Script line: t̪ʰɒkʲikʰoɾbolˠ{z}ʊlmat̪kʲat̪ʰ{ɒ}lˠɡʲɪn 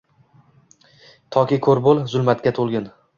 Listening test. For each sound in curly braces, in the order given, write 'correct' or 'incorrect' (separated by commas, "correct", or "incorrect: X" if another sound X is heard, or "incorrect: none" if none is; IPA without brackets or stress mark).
correct, incorrect: o